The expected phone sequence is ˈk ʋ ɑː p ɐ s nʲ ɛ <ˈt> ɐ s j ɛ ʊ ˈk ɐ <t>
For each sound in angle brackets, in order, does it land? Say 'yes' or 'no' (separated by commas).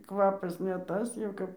yes, no